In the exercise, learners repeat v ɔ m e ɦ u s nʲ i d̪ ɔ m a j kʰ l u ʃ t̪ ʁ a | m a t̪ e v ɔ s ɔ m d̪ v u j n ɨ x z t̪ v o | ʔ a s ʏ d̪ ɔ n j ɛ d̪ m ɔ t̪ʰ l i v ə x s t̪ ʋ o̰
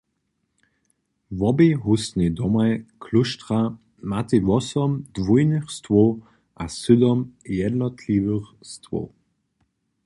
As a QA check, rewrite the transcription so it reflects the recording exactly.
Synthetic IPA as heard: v ɔ b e ɦ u s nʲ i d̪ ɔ m a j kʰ l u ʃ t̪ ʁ a | m a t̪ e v ɔ s ɔ m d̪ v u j n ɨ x s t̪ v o | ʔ a s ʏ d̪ ɔ m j ɛ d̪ n ɔ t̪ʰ l i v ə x s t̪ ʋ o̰

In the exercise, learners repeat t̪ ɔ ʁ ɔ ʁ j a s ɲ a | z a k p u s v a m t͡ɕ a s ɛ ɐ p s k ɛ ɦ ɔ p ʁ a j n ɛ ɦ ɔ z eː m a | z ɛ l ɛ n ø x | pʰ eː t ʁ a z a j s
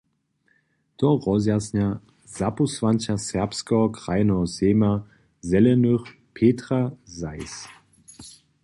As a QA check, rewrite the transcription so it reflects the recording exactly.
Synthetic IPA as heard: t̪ ɔ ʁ ɔ z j a s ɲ a | z a p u s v a n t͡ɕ a s ɛ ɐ p s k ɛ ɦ ɔ k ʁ a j n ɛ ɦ ɔ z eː m a | z ɛ l ɛ n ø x | pʰ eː t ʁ a z a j s

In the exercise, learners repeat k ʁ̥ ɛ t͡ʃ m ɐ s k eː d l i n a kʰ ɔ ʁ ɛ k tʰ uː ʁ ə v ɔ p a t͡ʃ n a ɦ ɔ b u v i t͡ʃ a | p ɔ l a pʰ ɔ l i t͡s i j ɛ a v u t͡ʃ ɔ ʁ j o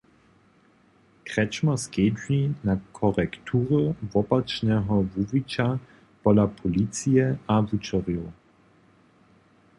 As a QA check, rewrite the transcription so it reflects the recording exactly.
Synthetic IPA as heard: k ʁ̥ ɛ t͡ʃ m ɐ s k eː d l i n a kʰ ɔ ʁ ɛ k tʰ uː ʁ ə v ɔ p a t͡ʃ n ɛ ɦ ɔ v u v i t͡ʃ a | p ɔ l a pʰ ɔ l i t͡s i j ɛ a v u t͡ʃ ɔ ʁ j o

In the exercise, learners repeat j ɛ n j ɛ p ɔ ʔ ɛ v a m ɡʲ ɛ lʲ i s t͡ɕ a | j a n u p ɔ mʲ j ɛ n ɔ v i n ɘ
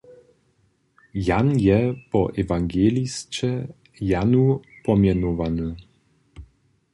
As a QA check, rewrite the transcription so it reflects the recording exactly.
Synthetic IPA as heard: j a n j ɛ p ɔ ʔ ɛ v a ŋ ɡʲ ɛ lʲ i s t͡ɕ ɛ | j a n u p ɔ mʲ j ɛ n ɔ v a n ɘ

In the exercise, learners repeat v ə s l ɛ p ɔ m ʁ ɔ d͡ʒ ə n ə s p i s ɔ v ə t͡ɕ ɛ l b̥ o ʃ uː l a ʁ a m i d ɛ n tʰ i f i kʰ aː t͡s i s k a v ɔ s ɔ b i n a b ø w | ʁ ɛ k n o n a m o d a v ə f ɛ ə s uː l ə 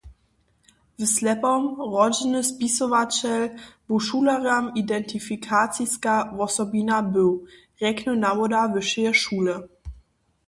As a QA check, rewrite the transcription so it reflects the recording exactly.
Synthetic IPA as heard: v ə s l ɛ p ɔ m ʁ ɔ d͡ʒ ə n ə s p i s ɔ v a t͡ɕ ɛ l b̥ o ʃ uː l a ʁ a m i d ɛ n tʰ i f i kʰ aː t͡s i s k a v ɔ s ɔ b i n a b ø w | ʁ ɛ k n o n a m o d a v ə ʃ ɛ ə ʃ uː l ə

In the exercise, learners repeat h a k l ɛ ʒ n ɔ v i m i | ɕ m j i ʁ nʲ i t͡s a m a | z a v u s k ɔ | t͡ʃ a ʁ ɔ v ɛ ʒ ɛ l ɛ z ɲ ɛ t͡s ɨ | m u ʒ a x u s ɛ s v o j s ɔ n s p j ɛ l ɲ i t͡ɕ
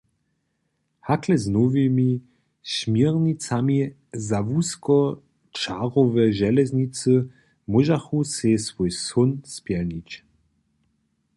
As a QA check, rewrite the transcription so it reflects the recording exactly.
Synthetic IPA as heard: h a k l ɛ z n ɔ v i m i | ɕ m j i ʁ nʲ i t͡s a m i | z a v u s k ɔ | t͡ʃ a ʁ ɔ v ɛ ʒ ɛ l ɛ z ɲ i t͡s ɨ | m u ʒ a x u s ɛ s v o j s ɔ n s p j ɛ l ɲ i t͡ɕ

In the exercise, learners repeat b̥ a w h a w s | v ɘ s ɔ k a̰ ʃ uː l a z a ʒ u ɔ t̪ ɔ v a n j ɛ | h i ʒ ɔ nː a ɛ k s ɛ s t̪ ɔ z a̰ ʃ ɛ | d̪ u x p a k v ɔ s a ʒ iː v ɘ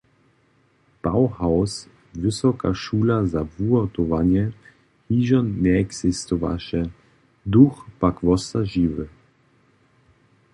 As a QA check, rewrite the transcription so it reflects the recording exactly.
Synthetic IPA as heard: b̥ a w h a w s | v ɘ s ɔ k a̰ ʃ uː l a z a v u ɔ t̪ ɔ v a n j ɛ | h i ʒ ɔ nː ɛ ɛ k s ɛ s t̪ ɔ v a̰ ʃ ɛ | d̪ u x p a k v ɔ s a ʒ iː v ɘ

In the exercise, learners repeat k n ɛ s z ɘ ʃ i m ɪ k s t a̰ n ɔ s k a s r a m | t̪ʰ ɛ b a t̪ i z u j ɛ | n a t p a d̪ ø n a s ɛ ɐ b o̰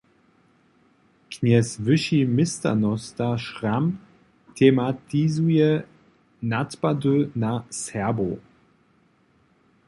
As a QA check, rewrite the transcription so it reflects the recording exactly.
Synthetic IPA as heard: k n ɛ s v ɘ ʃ i m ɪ s t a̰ n ɔ s t a ʃ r a m | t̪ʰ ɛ m a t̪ i z u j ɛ | n a t p a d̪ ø n a s ɛ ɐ b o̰

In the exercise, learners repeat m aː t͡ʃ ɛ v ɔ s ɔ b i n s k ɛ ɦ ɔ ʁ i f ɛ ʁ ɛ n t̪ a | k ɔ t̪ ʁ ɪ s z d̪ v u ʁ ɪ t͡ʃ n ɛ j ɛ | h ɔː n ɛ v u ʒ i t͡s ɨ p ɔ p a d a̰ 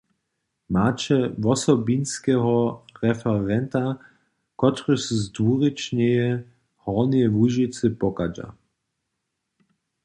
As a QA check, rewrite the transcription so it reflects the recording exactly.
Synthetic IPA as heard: m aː t͡ʃ ɛ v ɔ s ɔ b i n s k ɛ ɦ ɔ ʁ ɛ f ɛ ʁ ɛ n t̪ a | k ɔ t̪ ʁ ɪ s z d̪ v u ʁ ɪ t͡ʃ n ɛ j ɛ | h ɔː n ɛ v u ʒ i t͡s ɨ p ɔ k a d͡ʒ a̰

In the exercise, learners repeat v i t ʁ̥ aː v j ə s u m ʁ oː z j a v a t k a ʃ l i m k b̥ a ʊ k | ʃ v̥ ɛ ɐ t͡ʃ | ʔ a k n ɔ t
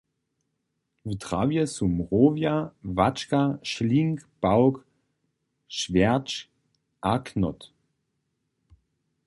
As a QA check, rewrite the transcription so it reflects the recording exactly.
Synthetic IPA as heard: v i t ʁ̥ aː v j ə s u m ʁ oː v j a v a t͡ʃ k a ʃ l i ŋ k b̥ a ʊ k | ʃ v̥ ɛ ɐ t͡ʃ | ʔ a k n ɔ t

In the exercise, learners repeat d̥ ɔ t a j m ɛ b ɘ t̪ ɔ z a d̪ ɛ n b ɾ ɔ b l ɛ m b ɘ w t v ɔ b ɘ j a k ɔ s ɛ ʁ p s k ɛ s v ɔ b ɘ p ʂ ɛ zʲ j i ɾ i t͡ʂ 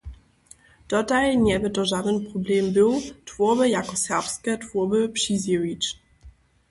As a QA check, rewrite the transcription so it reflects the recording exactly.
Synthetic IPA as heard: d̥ ɔ t a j ɲ ɛ b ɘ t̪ ɔ ʐ a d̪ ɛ n p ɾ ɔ b l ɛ m b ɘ w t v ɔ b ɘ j a k ɔ s ɛ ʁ p s k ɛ t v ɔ b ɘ p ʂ i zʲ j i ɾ i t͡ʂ

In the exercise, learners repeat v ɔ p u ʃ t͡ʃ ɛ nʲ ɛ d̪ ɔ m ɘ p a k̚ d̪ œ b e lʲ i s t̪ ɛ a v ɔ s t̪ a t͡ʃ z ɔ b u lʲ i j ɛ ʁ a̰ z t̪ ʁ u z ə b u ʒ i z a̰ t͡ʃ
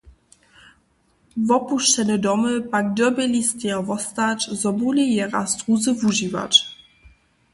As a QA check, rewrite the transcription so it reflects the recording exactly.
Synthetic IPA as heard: v ɔ p u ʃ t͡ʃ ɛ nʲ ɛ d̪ ɔ m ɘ p a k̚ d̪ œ b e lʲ i s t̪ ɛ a v ɔ s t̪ a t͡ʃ z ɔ b u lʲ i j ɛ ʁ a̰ s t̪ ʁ u z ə v u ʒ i v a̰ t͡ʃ

